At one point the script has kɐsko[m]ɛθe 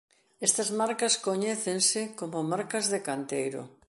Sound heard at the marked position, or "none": ɲ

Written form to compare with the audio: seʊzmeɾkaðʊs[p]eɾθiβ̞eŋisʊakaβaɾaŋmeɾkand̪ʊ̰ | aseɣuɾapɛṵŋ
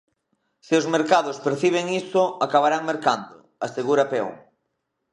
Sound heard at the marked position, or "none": p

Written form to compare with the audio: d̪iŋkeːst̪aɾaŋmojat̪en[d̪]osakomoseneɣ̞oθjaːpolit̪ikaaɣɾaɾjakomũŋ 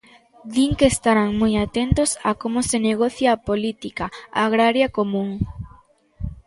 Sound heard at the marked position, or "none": t̪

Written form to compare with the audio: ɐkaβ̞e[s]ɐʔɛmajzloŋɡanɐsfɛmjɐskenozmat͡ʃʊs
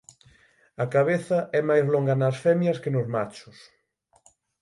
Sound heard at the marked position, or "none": θ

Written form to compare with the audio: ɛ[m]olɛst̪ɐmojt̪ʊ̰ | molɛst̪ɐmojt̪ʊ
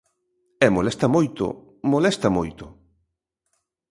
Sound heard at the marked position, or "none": m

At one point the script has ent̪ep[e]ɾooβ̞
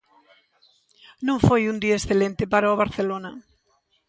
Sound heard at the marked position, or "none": a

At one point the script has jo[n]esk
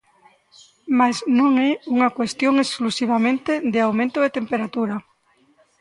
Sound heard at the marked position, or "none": ŋ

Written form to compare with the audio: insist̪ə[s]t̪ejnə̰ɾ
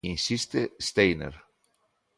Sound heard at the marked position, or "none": s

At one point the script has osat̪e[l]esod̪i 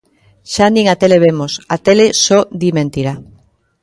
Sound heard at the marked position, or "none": l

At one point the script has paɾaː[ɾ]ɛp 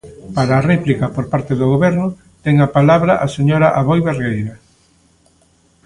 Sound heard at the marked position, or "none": r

